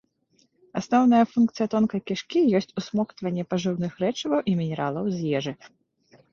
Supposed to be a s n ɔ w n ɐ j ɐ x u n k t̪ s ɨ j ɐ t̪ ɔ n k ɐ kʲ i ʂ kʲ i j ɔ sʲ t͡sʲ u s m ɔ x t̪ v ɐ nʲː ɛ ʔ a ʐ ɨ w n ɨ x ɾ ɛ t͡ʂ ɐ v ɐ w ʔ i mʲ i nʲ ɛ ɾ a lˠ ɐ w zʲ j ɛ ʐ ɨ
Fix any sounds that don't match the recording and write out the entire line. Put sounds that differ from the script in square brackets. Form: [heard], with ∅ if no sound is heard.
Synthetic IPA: a s n ɔ w n ɐ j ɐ [f] u n k t̪ s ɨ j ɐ t̪ ɔ n k ɐ kʲ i ʂ kʲ i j ɔ sʲ t͡sʲ u s m ɔ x t̪ v ɐ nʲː ɛ [p] a ʐ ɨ w n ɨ x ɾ ɛ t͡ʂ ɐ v ɐ w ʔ i mʲ i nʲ ɛ ɾ a lˠ ɐ w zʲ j ɛ ʐ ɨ